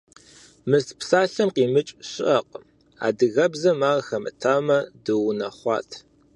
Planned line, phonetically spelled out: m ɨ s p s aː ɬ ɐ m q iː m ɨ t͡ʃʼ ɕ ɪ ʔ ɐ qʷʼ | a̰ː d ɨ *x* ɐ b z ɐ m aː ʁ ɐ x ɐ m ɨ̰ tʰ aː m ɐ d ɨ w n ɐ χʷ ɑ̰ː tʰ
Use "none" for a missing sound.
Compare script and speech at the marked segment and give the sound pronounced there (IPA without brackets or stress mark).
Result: ɣ